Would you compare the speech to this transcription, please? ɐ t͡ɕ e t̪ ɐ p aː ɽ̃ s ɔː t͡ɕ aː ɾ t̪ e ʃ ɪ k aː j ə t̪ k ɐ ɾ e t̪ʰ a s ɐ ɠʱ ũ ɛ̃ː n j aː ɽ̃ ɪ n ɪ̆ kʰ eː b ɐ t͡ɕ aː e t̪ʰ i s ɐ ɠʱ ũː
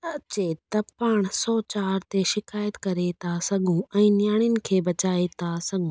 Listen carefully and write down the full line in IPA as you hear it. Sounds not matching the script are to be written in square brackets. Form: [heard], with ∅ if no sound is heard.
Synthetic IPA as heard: ɐ t͡ɕ e t̪ ɐ p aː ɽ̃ s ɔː t͡ɕ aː ɾ t̪ e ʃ ɪ k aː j ə t̪ k ɐ ɾ e t̪ʰ a s ɐ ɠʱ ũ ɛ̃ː n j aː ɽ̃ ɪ n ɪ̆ kʰ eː b ɐ t͡ɕ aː e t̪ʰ [a] s ɐ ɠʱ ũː

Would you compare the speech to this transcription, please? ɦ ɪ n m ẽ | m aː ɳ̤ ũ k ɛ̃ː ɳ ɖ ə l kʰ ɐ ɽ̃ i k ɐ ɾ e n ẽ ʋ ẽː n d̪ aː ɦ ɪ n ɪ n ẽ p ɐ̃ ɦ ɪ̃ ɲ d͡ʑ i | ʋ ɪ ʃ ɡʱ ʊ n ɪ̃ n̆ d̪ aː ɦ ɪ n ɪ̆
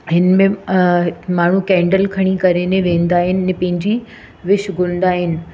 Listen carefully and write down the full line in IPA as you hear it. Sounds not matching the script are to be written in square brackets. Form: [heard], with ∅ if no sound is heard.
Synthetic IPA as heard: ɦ ɪ n m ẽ | m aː ɳ̤ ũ k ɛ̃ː ɳ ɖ ə l kʰ ɐ ɽ̃ i k ɐ ɾ e n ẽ ʋ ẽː n d̪ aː ɦ ɪ n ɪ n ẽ p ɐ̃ ɦ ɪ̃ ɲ d͡ʑ i | ʋ ɪ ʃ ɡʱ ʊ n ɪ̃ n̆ d̪ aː ɦ ɪ n ɪ̆

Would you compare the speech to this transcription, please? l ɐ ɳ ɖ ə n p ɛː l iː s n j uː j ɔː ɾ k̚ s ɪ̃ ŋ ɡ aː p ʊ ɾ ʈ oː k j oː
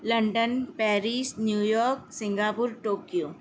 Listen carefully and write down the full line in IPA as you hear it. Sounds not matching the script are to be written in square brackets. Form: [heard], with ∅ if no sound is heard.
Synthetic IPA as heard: l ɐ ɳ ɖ ə n p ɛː [ɾ] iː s n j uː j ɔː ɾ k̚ s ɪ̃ ŋ ɡ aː p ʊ ɾ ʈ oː k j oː

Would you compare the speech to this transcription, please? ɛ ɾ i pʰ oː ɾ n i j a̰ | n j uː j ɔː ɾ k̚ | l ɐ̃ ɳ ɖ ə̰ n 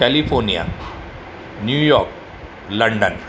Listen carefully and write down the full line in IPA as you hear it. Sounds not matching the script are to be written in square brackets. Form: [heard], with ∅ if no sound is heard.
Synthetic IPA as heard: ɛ [l] i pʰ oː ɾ n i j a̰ | n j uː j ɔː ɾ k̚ | l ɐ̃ ɳ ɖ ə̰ n

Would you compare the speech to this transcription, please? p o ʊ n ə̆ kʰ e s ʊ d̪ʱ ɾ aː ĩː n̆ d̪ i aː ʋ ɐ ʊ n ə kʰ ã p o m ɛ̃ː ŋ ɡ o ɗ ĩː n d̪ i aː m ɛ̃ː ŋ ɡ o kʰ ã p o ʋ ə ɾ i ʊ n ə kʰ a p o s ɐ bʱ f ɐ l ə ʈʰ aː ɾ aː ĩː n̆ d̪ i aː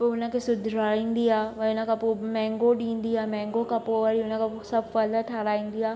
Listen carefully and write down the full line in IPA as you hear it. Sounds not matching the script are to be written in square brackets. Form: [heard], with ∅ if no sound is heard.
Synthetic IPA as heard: p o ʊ n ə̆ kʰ e s ʊ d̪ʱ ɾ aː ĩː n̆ d̪ i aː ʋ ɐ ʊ n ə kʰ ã p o m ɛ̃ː ŋ ɡ o ɗ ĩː n d̪ i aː m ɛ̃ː ŋ ɡ o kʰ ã p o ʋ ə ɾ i ʊ n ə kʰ a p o s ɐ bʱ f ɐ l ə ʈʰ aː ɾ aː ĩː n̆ d̪ i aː

